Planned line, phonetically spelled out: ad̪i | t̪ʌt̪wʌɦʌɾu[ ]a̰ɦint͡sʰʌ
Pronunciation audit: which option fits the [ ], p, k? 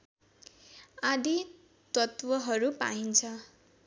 p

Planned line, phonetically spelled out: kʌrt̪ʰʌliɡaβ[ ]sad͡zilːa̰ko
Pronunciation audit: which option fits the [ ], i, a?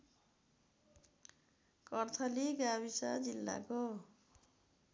i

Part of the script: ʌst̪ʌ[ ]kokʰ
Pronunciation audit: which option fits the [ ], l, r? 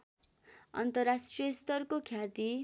r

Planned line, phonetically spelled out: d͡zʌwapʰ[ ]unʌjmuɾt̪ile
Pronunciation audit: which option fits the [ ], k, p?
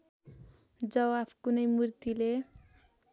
k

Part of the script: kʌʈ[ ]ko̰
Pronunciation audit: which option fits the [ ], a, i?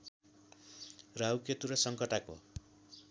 a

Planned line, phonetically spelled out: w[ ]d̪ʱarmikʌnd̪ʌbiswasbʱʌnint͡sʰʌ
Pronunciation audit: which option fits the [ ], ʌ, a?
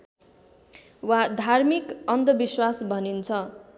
a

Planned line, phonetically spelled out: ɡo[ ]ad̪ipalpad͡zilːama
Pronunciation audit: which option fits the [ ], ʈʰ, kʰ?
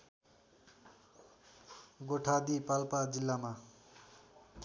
ʈʰ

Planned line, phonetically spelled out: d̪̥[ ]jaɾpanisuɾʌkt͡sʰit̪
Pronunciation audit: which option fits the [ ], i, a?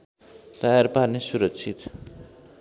a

